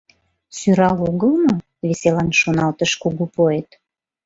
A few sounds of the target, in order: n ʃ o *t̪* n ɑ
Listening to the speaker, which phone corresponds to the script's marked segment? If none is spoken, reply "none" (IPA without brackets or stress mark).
none